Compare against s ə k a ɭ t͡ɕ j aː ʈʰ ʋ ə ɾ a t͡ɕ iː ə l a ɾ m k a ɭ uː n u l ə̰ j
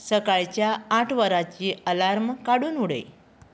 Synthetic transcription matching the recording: s ə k a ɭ t͡ɕ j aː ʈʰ ʋ ə ɾ a t͡ɕ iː ə l a ɾ m k a ɽ uː n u ɽ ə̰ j